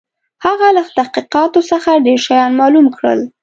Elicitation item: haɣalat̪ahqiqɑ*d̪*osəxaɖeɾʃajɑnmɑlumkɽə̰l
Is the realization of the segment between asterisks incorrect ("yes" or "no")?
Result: yes